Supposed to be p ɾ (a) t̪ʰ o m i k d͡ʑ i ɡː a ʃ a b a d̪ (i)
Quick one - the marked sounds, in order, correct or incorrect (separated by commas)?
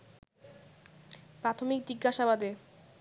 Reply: correct, incorrect